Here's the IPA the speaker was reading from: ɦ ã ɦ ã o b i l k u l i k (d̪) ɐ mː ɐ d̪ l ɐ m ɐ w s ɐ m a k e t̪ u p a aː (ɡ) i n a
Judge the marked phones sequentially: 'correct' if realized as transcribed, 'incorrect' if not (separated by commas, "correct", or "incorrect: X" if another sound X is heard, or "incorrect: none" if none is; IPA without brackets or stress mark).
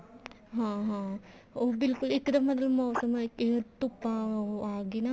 correct, correct